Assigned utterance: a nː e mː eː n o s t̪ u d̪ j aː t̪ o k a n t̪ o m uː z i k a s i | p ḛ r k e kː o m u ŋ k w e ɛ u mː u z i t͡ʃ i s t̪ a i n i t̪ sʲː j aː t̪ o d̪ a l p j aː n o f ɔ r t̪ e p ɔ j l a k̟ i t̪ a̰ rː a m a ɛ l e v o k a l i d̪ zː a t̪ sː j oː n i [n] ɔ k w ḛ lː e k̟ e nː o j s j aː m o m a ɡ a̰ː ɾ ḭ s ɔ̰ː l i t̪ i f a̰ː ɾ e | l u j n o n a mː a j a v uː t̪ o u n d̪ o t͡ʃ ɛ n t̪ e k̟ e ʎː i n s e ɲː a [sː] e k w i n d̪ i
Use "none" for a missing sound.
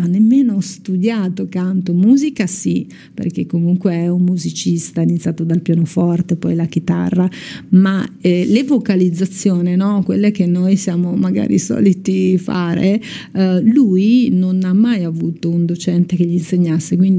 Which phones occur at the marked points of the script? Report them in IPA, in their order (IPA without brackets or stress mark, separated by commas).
n, sː